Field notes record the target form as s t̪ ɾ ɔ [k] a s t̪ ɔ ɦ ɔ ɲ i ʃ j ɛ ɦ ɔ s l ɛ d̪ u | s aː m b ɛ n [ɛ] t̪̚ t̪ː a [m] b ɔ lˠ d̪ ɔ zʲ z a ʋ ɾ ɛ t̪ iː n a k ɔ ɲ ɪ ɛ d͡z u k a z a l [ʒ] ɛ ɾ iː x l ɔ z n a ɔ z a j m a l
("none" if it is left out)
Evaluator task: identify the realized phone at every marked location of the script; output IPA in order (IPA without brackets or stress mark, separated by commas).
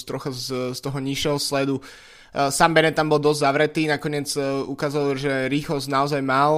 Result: x, ɛ, m, ʒ